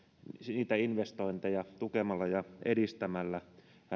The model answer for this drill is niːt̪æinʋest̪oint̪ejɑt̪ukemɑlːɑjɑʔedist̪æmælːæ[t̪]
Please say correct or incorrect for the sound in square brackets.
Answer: incorrect